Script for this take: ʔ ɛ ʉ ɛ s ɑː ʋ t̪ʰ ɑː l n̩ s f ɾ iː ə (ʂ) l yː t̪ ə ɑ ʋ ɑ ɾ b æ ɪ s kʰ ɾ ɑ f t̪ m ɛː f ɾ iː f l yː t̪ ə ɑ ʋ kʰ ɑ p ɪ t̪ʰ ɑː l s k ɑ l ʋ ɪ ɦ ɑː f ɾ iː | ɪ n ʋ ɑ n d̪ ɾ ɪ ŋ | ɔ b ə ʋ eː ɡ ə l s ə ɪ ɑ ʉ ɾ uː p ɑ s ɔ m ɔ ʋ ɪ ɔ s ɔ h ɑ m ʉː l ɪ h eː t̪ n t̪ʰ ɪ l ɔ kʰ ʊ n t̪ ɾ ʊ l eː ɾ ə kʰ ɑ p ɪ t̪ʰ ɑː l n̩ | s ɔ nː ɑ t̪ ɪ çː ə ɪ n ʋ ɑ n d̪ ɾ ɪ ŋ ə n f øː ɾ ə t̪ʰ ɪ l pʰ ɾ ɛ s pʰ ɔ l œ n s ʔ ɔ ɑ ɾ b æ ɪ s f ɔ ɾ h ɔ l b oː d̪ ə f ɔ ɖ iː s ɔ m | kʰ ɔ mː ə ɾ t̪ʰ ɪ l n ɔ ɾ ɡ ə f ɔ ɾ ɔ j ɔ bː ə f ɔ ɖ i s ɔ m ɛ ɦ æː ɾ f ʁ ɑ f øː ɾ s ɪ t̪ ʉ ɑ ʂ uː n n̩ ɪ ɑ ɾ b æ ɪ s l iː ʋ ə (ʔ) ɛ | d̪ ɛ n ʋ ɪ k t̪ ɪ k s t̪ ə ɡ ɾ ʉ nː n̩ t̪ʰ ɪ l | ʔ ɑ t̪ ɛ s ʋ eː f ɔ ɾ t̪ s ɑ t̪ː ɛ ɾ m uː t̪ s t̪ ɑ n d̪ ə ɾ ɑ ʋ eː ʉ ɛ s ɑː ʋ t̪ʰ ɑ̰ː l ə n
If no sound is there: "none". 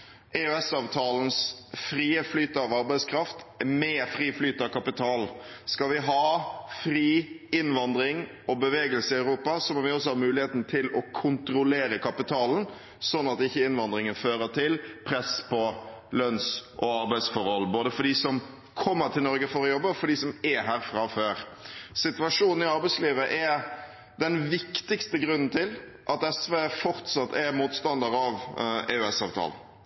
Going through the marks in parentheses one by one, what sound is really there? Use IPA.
f, ʔ

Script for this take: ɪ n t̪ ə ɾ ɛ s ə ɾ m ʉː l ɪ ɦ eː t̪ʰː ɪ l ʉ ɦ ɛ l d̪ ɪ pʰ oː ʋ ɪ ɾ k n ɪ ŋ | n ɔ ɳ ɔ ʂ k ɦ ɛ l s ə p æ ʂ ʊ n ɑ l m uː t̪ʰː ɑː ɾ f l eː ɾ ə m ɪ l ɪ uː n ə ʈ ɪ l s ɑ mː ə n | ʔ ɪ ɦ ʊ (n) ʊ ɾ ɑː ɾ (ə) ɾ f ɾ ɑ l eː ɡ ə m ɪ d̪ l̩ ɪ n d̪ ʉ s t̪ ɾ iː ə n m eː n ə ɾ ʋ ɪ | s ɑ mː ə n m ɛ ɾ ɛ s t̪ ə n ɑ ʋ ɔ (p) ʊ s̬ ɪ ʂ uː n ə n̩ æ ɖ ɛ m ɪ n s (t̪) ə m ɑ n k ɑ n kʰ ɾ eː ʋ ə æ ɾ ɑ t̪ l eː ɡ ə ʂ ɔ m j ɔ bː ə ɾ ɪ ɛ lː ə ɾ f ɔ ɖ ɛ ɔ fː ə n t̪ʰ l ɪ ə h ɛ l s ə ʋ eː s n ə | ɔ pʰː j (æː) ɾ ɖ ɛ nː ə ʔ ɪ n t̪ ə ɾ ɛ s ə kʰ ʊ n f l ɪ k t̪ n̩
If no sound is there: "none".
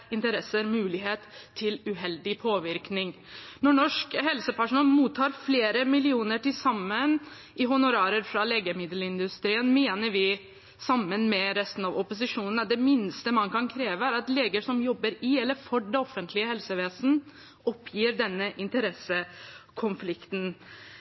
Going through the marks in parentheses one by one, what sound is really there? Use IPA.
n, ə, p, t̪, iː

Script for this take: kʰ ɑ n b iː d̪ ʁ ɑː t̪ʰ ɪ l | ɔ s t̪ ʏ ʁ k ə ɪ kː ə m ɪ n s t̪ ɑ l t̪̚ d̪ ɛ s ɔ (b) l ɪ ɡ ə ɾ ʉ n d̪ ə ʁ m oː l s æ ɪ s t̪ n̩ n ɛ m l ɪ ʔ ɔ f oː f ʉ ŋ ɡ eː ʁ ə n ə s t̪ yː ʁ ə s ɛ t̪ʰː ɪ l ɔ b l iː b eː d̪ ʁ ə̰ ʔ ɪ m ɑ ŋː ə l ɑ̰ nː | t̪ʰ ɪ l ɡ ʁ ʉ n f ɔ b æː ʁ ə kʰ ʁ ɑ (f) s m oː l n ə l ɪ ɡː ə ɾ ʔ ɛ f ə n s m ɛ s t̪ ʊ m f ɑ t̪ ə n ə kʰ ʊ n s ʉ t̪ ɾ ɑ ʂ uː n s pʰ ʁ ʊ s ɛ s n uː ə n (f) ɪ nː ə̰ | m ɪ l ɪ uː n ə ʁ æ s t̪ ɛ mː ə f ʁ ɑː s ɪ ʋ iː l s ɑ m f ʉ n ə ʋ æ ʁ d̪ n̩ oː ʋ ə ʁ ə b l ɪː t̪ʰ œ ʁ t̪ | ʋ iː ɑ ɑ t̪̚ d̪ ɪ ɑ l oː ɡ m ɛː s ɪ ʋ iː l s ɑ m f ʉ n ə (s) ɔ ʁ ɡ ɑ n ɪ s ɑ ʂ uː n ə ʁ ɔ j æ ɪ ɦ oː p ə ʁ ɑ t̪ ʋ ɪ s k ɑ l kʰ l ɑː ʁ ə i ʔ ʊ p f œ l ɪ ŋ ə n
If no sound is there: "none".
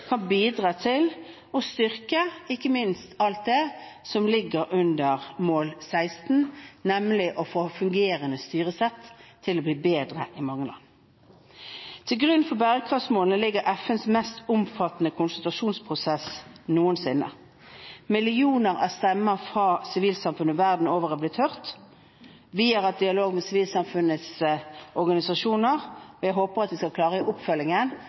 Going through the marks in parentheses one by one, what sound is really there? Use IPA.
m, f, s, s

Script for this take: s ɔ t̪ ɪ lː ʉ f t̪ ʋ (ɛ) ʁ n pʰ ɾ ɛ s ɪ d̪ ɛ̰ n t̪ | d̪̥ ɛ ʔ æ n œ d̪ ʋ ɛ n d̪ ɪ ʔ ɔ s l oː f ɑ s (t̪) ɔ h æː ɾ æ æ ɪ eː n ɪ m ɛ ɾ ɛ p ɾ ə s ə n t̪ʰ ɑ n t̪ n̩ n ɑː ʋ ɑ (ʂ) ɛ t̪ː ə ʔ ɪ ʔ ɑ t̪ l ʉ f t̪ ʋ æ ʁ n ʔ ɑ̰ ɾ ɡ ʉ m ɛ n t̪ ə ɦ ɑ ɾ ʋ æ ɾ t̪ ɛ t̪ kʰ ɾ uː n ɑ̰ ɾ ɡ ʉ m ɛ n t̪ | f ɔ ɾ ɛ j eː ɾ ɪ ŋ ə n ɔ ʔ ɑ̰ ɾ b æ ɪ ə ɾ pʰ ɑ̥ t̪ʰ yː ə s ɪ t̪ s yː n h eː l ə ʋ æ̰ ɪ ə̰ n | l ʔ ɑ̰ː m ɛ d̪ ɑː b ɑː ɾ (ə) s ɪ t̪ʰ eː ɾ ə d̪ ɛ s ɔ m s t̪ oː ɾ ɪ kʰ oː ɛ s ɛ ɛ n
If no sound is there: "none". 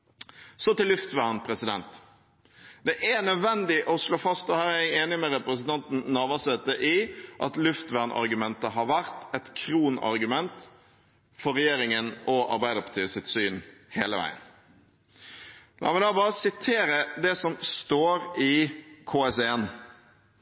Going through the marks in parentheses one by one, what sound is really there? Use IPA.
æ, t̪, s, ə

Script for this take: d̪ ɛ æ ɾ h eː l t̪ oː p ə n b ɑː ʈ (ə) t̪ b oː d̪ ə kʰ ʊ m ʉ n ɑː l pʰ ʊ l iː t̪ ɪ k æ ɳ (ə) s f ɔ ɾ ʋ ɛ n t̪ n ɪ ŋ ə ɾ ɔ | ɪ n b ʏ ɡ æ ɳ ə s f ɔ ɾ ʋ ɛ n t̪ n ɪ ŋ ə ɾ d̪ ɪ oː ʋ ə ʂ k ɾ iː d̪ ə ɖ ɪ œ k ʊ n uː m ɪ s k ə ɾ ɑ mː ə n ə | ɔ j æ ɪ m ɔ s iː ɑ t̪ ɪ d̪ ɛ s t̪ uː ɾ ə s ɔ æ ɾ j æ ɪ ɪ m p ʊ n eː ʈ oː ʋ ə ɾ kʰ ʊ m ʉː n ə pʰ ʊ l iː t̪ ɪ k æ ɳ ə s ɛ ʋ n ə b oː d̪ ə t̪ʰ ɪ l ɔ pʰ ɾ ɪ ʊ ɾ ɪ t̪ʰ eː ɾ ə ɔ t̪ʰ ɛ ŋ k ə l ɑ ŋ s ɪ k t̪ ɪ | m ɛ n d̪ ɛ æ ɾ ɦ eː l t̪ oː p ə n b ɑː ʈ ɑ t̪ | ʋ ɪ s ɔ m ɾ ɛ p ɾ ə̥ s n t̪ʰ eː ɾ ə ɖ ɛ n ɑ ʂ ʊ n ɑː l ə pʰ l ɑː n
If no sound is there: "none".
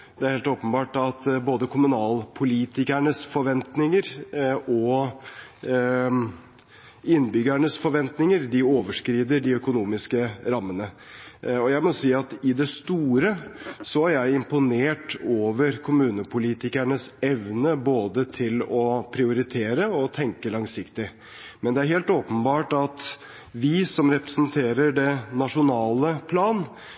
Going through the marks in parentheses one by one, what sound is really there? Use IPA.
ɑ, ə

